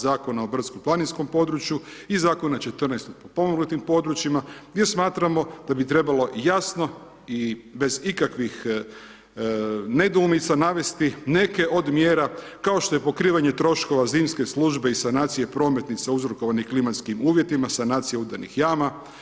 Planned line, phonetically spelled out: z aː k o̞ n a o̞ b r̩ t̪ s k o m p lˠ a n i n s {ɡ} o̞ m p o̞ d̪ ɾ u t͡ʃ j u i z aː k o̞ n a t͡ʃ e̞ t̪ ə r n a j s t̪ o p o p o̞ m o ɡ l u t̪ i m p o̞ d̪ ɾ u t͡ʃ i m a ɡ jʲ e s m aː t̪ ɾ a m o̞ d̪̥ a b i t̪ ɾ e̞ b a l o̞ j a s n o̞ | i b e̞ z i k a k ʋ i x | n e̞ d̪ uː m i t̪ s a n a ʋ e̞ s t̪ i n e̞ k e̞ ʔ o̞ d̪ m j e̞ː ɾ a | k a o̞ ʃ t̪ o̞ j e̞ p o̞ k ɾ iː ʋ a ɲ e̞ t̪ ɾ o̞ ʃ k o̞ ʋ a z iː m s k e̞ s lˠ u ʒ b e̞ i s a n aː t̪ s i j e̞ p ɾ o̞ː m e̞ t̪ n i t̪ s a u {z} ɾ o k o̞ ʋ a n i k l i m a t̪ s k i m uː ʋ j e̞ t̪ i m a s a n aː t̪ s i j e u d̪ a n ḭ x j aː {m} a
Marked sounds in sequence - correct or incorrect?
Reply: incorrect, correct, correct

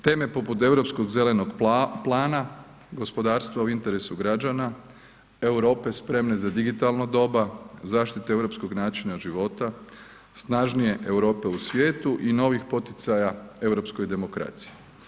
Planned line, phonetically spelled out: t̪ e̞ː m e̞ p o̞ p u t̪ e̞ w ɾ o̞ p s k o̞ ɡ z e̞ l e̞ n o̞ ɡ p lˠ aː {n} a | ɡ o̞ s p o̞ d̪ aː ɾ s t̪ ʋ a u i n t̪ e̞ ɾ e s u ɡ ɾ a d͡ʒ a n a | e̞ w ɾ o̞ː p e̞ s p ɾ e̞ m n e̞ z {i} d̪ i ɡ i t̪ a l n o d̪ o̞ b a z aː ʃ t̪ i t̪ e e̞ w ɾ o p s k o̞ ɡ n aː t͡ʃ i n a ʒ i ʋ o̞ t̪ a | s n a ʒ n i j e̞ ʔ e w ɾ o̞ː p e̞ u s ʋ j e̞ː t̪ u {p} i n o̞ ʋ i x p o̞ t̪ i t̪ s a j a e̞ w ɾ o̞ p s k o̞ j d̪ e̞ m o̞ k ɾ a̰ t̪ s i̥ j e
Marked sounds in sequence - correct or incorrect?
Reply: correct, incorrect, incorrect

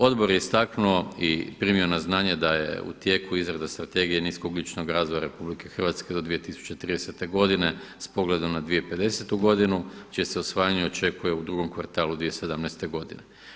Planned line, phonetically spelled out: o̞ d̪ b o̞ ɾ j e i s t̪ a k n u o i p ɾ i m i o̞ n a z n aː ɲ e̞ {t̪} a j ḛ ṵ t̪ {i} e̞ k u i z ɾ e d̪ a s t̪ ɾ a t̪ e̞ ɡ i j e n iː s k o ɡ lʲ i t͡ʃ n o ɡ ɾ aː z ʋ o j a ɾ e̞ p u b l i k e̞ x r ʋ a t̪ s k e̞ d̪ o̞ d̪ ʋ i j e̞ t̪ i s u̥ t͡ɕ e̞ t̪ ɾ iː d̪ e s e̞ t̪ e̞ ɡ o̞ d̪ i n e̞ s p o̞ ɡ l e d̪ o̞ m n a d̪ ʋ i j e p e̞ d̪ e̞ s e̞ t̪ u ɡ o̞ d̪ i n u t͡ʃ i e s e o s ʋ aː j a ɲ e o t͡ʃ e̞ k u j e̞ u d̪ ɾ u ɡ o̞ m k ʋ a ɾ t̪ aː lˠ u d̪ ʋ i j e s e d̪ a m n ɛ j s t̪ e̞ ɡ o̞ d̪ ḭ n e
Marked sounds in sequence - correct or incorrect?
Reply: incorrect, incorrect

